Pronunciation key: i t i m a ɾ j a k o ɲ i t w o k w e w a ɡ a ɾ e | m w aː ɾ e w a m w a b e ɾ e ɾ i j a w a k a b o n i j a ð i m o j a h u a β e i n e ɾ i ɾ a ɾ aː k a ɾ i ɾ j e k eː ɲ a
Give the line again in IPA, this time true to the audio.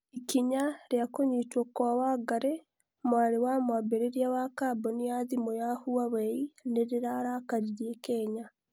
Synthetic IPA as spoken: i k i ɲ a ɾ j a k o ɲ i t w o k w a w a ɡ a ɾ e | m w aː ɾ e w a m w a b e ɾ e ɾ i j a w a k a b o n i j a ð i m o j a h u a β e i n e ɾ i ɾ a ɾ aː k a ɾ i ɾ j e k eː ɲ a